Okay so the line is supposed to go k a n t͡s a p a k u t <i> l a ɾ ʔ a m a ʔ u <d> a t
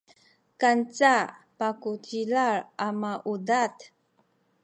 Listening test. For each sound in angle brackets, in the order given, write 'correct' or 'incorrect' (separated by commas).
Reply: correct, correct